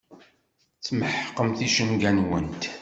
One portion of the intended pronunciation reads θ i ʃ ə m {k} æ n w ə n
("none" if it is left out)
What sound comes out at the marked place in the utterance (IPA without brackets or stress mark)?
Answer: ɡ